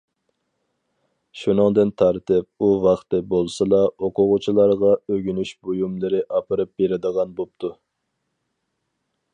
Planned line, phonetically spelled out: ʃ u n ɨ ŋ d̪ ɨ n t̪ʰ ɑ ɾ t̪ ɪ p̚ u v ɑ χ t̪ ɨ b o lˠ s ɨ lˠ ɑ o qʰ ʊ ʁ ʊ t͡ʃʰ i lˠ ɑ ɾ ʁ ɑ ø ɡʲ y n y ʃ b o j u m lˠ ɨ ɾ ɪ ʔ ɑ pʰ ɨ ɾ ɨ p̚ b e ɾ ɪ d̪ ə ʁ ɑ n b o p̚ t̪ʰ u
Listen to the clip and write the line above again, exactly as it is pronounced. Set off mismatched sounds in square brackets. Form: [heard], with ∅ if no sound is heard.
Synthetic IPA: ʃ u n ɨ ŋ d̪ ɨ n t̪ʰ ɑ ɾ t̪ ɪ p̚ u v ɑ χ t̪ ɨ b o lˠ s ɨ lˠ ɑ o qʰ ʊ ʁ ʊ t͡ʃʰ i lˠ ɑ ɾ ʁ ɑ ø ɡʲ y n y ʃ b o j u m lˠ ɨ ɾ ɪ ʔ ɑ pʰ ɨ ɾ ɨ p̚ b e ɾ ɪ d̪ ə ʁ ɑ n b o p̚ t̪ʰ u